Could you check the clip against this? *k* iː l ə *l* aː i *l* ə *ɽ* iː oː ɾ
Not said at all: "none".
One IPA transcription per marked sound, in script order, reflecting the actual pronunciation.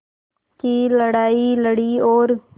k, ɽ, l, ɽ

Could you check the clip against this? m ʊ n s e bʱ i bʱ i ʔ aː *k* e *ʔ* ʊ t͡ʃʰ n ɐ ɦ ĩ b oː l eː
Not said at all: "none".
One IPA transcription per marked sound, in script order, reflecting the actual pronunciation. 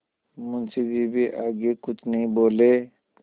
ɡ, k

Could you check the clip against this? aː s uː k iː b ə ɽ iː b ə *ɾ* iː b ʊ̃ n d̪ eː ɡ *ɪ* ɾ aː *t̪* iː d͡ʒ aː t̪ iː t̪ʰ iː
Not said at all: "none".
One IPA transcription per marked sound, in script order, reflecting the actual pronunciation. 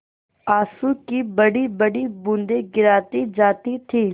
ɽ, ɪ, t̪

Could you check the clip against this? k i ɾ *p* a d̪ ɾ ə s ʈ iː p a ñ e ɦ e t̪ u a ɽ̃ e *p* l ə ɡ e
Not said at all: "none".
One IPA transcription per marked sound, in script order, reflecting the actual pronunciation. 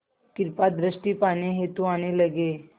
p, none

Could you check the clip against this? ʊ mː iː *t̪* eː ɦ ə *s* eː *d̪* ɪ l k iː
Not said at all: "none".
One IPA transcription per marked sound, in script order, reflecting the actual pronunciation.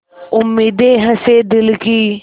d̪, s, d̪

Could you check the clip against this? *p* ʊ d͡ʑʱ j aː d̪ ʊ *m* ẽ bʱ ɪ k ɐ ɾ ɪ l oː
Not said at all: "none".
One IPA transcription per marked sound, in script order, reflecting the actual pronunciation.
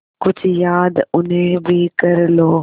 k, n

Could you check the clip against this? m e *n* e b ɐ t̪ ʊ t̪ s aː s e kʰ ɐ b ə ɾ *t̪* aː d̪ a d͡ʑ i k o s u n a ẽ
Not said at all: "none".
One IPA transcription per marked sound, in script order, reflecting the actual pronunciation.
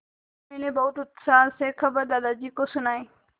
n, d̪

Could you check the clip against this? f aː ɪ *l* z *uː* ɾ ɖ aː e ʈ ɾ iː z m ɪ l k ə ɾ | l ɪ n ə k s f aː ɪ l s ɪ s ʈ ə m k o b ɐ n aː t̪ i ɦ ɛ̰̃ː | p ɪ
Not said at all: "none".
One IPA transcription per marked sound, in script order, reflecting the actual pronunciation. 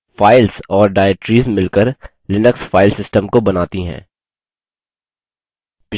l, ɔː

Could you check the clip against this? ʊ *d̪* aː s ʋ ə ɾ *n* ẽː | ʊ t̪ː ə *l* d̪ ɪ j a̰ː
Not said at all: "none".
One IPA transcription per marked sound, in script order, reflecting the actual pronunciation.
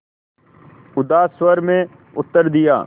d̪, m, ɾ

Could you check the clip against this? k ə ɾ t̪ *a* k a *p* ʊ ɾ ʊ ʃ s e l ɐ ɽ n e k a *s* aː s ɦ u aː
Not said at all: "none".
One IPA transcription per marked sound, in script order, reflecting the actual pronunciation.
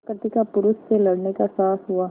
i, p, s

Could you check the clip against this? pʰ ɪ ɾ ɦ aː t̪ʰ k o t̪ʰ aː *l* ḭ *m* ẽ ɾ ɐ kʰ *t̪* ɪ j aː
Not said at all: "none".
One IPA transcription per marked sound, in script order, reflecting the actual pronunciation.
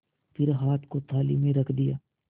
l, m, d̪

